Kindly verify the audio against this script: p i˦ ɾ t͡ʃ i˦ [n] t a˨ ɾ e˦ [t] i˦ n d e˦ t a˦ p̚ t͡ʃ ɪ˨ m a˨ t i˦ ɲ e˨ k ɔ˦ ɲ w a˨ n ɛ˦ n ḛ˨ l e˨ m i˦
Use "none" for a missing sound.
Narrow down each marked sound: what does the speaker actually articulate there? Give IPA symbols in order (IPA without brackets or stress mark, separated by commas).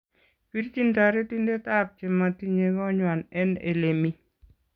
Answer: n, t